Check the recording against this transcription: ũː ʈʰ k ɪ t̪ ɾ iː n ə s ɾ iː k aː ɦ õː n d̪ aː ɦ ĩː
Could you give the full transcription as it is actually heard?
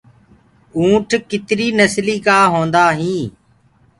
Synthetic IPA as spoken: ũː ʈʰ k ɪ t̪ ɾ iː n ə s l iː k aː ɦ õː n d̪ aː ɦ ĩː